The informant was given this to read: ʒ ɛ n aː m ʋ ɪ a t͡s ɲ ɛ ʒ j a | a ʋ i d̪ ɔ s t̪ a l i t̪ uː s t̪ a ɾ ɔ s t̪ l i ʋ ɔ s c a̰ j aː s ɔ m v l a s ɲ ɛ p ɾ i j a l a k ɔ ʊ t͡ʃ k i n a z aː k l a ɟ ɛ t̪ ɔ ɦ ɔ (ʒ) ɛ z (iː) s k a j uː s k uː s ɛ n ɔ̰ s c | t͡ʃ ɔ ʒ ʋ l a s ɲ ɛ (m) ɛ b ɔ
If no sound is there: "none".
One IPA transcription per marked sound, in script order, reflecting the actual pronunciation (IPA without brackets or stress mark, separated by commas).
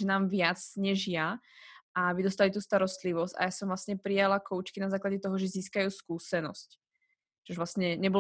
ʒ, iː, ɲ